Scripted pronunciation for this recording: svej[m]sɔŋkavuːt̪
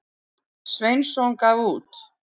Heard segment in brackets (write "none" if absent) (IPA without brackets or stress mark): n